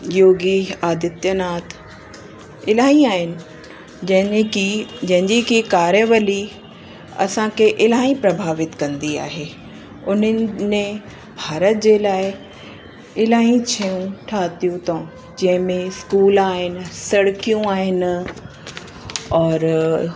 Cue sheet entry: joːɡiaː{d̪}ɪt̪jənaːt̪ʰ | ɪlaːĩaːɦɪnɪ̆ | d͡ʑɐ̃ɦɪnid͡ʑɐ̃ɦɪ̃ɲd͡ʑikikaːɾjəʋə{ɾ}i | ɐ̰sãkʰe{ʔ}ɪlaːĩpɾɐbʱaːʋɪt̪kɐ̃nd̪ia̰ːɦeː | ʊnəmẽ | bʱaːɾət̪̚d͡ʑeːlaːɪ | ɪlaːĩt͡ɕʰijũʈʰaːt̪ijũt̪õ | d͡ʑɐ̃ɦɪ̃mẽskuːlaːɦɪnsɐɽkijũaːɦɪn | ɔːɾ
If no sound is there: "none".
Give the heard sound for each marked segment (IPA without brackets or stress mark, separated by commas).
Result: d̪, l, ʔ